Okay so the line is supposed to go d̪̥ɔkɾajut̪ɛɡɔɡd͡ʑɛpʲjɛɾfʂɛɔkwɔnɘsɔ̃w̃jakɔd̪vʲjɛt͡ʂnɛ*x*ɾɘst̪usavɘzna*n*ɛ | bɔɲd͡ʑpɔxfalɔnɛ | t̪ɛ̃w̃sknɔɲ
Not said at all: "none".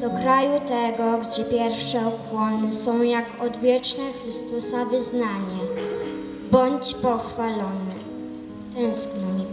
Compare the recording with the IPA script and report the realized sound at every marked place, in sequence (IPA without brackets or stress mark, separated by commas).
x, ɲ